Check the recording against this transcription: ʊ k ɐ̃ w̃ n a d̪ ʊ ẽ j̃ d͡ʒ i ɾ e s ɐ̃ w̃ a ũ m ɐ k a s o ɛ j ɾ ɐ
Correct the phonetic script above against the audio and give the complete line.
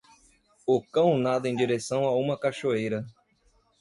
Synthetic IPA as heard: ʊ k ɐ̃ w̃ n a d̪ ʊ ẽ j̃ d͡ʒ i ɾ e s ɐ̃ w̃ a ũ m ɐ k a ʃ o e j ɾ ɐ